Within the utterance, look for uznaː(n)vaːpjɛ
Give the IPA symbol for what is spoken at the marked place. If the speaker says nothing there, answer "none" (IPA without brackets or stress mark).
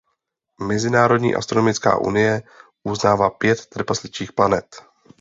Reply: none